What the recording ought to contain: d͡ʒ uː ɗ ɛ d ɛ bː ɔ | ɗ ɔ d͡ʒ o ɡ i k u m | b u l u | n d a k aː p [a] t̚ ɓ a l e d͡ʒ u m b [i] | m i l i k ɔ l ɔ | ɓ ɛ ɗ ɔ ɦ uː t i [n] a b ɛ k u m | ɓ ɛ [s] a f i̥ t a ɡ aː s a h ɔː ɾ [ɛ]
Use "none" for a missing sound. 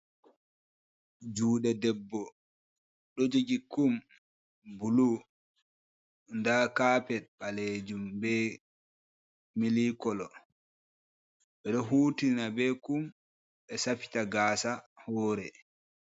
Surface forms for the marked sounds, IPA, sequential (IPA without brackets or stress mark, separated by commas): ɛ, ɛ, n, s, ɛ